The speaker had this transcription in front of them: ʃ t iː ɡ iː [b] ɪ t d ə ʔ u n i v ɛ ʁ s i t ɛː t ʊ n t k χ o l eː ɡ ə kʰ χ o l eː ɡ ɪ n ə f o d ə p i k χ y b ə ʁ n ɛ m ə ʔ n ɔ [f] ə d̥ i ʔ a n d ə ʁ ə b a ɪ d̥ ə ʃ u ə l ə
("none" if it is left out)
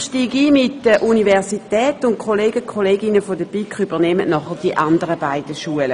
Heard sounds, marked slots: m, χ

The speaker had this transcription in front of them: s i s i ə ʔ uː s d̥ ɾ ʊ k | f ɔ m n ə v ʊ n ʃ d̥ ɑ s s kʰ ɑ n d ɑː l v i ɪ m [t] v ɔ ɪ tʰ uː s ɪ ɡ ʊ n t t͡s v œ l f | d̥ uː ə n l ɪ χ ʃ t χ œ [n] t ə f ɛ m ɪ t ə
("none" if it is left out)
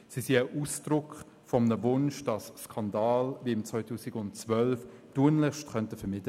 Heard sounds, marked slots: t͡s, n

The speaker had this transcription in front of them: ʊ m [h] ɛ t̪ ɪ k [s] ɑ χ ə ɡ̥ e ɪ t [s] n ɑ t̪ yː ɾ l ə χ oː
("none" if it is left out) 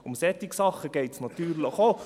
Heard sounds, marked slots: s, s, s

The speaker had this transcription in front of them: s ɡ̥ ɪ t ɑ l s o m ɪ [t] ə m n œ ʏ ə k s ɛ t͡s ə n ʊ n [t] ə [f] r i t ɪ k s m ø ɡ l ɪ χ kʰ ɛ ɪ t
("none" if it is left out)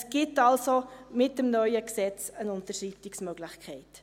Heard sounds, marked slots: t, t, ʃ

